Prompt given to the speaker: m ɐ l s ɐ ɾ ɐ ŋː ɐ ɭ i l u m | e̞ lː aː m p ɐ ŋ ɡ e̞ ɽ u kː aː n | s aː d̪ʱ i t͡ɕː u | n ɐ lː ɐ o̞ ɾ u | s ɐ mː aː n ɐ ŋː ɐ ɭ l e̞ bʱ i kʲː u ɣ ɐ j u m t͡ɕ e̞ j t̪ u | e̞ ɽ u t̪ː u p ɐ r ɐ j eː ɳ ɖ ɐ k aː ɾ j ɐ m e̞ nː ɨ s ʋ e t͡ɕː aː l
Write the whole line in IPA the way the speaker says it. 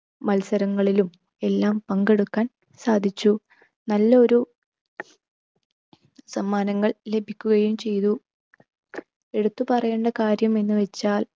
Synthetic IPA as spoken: m ɐ l s ɐ ɾ ɐ ŋː ɐ ɭ i l u m | e̞ lː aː m p ɐ ŋ ɡ e̞ ɽ u kː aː n | s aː d̪ʱ i t͡ɕː u | n ɐ lː ɐ o̞ ɾ u | s ɐ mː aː n ɐ ŋː ɐ ɭ l e̞ bʱ i kʲː u ɣ ɐ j u m t͡ɕ e̞ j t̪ u | e̞ ɽ u t̪ː u p ɐ r ɐ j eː ɳ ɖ ɐ k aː ɾ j ɐ m e̞ nː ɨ ʋ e t͡ɕː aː l